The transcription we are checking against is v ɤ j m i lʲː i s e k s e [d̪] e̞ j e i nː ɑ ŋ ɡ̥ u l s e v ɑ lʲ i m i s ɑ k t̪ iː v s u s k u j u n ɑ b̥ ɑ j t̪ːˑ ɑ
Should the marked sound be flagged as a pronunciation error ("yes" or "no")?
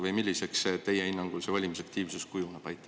yes